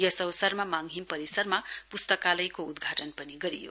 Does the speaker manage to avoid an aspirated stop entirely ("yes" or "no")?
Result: yes